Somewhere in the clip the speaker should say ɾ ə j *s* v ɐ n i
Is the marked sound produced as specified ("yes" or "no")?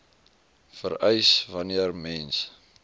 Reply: yes